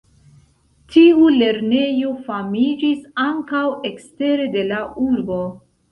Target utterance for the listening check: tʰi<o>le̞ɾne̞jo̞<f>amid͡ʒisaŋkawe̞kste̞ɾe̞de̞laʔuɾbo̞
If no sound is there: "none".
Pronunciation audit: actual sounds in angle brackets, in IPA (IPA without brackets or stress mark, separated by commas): u, f